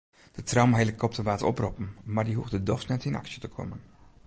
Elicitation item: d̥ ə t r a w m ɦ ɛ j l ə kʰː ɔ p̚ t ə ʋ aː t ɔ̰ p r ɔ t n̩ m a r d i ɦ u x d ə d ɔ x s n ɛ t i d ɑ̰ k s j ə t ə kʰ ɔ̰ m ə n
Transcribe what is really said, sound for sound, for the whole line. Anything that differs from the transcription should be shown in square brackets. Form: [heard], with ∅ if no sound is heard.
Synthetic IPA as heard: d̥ ə t r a w m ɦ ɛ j l ə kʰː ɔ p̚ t ə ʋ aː t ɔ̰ p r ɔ [p] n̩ m a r d i ɦ u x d ə d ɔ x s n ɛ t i [n] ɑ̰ k s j ə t ə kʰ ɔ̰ m ə n